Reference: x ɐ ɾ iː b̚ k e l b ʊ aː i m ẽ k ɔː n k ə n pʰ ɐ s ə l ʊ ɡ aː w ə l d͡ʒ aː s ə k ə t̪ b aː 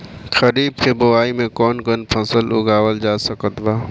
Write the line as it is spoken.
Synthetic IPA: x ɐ ɾ iː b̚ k e b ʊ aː i m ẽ k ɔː n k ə n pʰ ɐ s ə l ʊ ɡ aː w ə l d͡ʒ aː s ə k ə t̪ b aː